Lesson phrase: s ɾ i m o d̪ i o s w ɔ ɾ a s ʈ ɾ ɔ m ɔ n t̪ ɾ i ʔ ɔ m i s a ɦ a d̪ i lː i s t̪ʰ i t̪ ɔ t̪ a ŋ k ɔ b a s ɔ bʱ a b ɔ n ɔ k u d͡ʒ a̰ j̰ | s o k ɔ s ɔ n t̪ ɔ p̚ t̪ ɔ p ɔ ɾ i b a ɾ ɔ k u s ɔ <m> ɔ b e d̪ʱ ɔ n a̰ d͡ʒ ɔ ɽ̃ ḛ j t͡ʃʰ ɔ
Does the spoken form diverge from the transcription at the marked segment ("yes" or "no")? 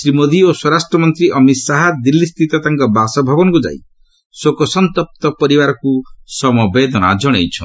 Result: no